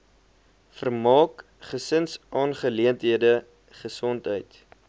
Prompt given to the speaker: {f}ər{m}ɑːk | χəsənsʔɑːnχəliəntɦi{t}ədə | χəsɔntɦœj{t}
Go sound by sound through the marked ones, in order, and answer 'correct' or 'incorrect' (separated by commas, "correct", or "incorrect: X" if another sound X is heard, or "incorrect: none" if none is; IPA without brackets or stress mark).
correct, correct, incorrect: none, correct